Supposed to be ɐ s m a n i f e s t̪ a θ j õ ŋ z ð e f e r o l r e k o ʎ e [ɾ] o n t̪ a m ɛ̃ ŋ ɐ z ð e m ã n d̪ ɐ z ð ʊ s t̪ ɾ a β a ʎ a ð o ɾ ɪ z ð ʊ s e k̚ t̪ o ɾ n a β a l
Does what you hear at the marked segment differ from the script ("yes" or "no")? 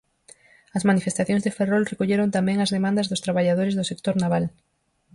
no